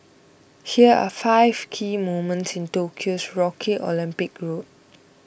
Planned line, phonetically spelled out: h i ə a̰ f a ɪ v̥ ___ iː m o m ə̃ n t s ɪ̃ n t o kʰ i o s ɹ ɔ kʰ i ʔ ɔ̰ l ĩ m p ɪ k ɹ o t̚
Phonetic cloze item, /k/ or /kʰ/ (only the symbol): kʰ